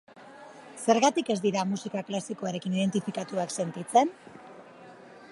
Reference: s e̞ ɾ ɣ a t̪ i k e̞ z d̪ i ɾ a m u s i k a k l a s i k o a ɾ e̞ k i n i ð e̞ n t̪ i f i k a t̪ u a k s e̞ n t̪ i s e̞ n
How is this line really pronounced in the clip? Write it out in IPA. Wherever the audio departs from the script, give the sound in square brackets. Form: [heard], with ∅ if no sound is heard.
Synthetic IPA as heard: s e̞ ɾ ɣ a t̪ i k e̞ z d̪ i ɾ a m u s i k a k l a s i k o a ɾ e̞ k i n i ð e̞ n t̪ i f i k a t̪ u a k s e̞ n t̪ i [t͡s] e̞ n